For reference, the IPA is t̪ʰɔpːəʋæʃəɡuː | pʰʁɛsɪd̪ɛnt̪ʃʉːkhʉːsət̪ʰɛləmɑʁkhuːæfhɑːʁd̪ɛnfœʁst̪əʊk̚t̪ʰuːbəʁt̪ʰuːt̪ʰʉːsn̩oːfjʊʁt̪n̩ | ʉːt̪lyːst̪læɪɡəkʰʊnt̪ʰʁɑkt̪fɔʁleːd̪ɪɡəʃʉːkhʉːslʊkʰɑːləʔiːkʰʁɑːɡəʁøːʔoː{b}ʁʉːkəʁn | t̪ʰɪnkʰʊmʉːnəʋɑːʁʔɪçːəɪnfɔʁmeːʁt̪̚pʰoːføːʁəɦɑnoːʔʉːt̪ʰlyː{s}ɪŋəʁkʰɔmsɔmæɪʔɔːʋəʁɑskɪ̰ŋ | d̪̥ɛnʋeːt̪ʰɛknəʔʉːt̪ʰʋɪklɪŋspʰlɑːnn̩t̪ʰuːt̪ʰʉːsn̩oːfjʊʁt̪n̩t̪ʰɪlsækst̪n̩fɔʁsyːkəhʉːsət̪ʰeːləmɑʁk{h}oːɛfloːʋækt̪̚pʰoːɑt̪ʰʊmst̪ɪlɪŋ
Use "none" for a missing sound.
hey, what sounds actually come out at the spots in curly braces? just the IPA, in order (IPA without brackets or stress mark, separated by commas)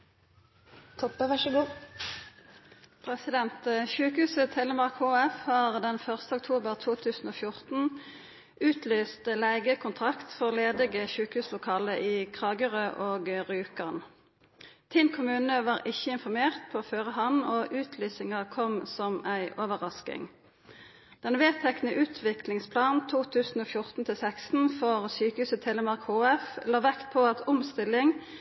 ɡ, s, h